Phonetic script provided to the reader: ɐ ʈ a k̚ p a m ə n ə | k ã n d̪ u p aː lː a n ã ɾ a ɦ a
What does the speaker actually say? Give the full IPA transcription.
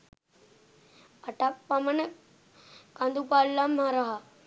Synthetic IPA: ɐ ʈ a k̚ p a m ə n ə | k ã n d̪ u p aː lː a m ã ɾ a ɦ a